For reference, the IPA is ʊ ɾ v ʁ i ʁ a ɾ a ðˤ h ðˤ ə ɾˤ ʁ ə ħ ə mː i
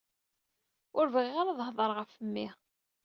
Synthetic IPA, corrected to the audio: ʊ ɾ v ʁ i ʁ a ɾ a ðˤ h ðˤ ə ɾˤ ʁ ə f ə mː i